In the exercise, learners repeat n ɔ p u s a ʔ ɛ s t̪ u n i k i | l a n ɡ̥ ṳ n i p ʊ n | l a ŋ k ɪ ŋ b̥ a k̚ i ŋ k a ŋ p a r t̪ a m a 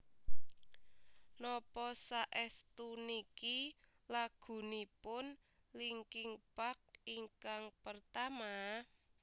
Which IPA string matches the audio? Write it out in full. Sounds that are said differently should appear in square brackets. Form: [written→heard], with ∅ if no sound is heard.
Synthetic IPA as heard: n ɔ p [u→ɔ] s a ʔ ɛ s t̪ u n i k i | l a [n→∅] ɡ̥ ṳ n i p ʊ n | l [a→i] ŋ k ɪ ŋ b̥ a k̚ i ŋ k a ŋ p [a→ə] r t̪ a m a